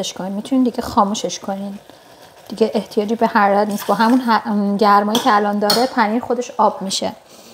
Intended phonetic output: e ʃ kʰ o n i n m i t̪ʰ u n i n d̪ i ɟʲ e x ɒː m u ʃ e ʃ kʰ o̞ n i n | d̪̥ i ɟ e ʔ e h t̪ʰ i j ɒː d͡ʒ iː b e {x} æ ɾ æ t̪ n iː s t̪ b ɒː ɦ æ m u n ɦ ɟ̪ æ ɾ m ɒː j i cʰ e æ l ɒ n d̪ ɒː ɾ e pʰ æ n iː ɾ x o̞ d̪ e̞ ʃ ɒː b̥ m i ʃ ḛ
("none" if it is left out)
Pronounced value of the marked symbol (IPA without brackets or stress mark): h